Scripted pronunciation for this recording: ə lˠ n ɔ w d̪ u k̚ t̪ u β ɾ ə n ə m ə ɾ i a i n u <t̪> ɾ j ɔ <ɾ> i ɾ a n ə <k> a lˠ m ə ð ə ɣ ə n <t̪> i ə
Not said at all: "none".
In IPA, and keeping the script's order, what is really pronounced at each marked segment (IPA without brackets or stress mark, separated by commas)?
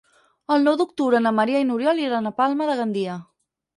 none, l, p, d̪